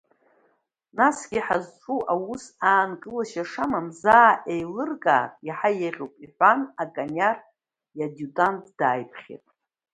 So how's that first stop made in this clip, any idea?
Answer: plain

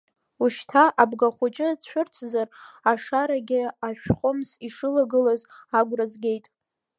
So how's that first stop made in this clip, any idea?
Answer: aspirated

